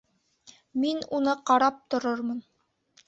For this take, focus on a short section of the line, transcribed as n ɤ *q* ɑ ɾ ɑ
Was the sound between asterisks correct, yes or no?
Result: yes